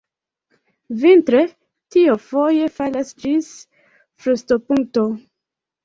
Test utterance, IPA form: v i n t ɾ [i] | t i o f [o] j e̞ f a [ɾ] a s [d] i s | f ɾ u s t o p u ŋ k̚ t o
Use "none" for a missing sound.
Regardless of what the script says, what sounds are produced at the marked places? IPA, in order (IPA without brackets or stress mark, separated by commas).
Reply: e, o, l, d͡ʒ